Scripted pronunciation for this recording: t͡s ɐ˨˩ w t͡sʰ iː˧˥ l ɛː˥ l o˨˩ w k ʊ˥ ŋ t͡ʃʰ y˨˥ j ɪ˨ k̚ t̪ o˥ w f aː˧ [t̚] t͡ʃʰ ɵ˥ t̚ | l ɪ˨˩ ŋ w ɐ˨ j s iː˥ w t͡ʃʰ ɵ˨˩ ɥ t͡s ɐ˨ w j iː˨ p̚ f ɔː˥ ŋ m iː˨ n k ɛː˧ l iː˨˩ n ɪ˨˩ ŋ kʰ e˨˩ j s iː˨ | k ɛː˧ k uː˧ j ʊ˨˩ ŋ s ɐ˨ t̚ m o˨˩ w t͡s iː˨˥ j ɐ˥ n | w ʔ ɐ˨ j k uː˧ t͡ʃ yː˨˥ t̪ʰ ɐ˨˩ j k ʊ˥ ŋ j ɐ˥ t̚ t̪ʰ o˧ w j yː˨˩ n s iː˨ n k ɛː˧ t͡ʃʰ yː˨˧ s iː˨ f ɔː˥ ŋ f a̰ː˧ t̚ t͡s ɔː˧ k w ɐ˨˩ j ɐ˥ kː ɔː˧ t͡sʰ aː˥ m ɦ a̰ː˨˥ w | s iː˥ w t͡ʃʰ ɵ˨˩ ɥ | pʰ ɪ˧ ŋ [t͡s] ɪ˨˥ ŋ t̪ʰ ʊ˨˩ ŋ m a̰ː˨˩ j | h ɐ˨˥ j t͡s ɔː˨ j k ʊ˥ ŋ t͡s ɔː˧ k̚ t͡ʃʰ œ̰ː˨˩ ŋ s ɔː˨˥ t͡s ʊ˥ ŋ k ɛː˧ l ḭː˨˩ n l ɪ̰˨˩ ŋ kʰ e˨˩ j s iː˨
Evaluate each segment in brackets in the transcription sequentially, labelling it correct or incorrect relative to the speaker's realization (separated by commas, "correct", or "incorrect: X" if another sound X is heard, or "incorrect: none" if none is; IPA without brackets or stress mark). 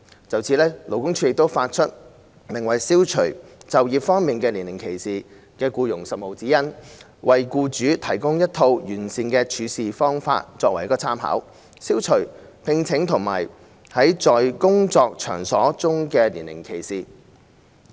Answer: correct, incorrect: t͡sʰ